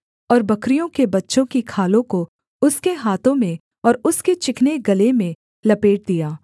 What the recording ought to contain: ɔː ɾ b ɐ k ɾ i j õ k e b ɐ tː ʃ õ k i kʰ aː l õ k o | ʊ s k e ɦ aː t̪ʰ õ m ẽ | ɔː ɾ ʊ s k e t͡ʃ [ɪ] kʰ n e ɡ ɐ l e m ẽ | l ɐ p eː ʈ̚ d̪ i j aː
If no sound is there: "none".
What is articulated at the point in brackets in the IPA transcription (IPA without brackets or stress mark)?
ɪ